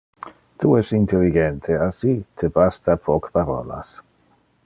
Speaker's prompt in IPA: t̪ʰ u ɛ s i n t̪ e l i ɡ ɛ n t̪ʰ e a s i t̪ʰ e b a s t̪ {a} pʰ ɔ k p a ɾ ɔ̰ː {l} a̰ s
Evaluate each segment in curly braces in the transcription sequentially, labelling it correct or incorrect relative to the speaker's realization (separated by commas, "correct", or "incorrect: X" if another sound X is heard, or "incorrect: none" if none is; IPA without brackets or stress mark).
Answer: correct, correct